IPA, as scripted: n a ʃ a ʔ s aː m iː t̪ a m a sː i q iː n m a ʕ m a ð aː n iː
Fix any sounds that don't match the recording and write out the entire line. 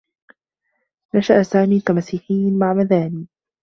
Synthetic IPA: n a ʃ a ʔ s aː m iː t̪ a m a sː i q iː n m a ʕ m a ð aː n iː